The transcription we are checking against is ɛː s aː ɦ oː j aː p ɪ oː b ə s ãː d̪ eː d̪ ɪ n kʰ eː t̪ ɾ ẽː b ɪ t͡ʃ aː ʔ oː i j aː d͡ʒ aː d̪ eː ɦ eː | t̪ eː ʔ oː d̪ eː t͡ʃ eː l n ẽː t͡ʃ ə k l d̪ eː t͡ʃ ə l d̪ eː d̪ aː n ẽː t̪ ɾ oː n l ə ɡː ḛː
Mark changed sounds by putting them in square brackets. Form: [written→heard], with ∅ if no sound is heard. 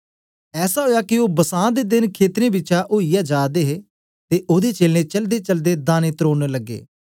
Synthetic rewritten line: ɛː s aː ɦ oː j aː [p→k] ɪ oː b ə s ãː d̪ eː d̪ ɪ n kʰ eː t̪ ɾ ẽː b ɪ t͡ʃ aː ʔ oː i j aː d͡ʒ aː d̪ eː ɦ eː | t̪ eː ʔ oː d̪ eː t͡ʃ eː l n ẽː t͡ʃ ə [k→∅] l d̪ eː t͡ʃ ə l d̪ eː d̪ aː n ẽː t̪ ɾ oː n l ə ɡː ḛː